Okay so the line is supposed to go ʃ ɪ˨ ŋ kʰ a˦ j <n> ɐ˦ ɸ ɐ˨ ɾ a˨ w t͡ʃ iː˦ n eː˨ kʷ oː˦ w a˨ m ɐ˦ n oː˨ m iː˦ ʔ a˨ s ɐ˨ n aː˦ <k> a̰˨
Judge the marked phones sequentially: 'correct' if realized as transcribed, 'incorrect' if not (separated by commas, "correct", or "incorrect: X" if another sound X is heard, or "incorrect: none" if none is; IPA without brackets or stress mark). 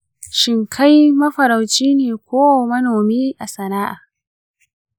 incorrect: m, incorrect: ʔ